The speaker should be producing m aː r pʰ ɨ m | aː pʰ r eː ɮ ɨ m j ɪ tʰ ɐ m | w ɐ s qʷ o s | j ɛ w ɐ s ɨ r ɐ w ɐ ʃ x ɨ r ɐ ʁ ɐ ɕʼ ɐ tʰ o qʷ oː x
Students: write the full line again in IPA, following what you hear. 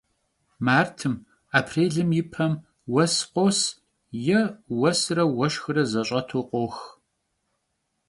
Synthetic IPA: m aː r tʰ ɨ m | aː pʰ r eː ɮ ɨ m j ɪ pʰ ɐ m | w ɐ s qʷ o s | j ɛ w ɐ s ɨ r ɐ w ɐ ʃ x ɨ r ɐ z ɐ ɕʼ ɐ tʰ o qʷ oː x

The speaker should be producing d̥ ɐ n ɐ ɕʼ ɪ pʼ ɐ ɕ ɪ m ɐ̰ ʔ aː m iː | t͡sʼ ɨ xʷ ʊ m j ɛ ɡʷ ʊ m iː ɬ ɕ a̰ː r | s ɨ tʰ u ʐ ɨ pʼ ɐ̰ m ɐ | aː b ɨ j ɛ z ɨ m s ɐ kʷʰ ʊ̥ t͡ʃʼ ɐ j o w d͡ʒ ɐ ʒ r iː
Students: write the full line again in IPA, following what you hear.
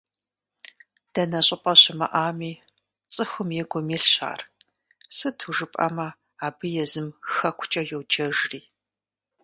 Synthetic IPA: d̥ ɐ n ɐ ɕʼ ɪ pʼ ɐ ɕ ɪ m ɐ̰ ʔ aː m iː | t͡sʼ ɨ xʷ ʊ m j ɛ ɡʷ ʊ m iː ɬ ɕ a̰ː r | s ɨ tʰ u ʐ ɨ pʼ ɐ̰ m ɐ | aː b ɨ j ɛ z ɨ m x ɐ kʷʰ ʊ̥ t͡ʃʼ ɐ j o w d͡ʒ ɐ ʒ r iː

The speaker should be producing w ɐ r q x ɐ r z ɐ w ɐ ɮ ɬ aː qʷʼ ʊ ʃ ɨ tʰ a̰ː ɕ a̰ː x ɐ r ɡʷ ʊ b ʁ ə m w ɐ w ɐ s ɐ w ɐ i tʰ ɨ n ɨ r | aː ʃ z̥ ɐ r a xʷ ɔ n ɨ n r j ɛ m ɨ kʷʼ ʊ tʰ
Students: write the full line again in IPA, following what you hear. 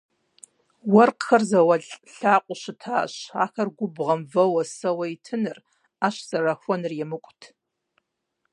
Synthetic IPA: w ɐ r q x ɐ r z ɐ w ɐ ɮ ɬ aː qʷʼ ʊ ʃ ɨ tʰ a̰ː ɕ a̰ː x ɐ r ɡʷ ʊ b ʁ ɐ m v ɐ w ɐ s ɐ w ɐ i tʰ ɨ n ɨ r | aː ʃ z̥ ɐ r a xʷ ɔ n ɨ r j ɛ m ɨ kʷʼ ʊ tʰ

